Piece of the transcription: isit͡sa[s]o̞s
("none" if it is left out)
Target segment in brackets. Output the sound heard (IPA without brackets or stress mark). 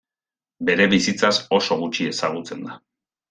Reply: s